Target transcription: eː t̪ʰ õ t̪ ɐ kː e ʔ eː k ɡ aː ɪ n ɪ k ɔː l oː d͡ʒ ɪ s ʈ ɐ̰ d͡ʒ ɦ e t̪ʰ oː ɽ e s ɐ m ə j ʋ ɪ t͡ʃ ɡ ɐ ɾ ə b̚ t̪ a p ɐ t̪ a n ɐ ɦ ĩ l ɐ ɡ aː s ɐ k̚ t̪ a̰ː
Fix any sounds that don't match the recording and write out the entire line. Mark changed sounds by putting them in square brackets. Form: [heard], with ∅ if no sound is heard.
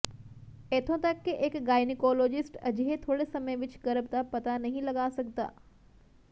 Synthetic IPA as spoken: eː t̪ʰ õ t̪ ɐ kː e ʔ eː k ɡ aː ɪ n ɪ k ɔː l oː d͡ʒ ɪ s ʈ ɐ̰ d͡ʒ ɦ e t̪ʰ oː ɽ e s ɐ m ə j ʋ ɪ t͡ʃ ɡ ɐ ɾ ə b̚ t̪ a p ɐ t̪ a n ɐ ɦ ĩ l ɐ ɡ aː s ɐ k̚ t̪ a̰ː